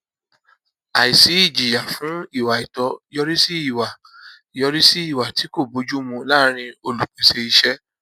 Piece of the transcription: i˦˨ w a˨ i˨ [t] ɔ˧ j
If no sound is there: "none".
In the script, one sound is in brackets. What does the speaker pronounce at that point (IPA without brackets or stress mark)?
t